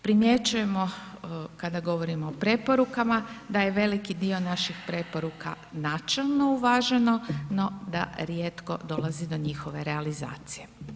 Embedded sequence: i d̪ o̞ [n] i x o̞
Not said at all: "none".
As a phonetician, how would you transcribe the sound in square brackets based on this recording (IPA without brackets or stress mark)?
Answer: ɲ